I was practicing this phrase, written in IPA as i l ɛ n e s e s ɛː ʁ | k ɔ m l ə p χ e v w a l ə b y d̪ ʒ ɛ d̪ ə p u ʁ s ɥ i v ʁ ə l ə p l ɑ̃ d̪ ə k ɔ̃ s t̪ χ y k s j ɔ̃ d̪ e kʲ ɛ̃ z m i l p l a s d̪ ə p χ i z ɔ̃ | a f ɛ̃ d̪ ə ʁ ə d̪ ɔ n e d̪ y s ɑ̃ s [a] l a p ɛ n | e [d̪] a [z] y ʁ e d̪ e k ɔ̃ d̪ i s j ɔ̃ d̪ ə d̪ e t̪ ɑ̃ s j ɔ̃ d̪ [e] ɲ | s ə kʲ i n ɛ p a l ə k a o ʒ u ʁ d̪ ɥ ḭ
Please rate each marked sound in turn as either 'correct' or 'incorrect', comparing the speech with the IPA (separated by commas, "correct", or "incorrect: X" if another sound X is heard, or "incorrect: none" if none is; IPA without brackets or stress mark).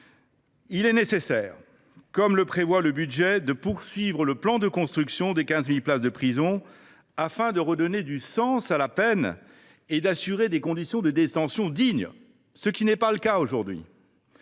correct, correct, incorrect: s, incorrect: i